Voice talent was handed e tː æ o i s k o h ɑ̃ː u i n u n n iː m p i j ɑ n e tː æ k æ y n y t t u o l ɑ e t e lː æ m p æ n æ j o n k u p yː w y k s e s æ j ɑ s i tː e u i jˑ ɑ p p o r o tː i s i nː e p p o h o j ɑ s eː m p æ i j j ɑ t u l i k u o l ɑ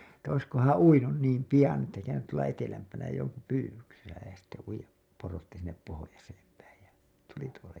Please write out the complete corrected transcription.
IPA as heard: e tː æ o i s k o h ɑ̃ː u i n u n n iː m p i j ɑ n e tː æ k æ y n y t t u o l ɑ e t e l æ m p æ n æ j o ŋ k u p yː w y k s e s æ j ɑ s i tː e u i jˑ ɑ p p o r o tː i s i nː e p p o h o j ɑ s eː m p æ i j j ɑ t u l i t u o l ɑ